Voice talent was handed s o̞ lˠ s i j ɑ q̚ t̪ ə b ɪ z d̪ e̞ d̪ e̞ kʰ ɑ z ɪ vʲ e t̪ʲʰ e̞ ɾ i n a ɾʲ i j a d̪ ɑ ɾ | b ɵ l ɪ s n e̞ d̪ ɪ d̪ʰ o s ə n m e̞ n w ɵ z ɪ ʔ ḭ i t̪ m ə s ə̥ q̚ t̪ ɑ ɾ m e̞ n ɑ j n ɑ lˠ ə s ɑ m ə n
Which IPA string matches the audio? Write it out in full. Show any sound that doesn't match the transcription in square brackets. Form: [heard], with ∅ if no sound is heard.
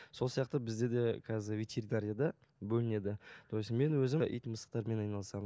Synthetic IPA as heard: s o̞ lˠ s i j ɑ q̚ t̪ ə b ɪ z d̪ e̞ d̪ e̞ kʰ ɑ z ɪ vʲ e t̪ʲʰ e̞ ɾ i n a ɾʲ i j a d̪ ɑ [∅] | b ɵ l ɪ [∅] n e̞ d̪ ɪ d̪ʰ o s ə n m e̞ n w ɵ z ɪ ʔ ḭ [j] t̪ m ə s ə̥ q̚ t̪ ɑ ɾ m e̞ n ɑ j n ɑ lˠ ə s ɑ m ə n